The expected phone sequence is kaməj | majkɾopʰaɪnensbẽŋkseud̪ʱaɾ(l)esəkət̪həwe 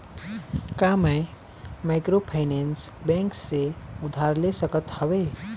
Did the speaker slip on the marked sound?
no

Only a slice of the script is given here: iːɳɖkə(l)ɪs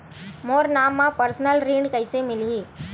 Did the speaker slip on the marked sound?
yes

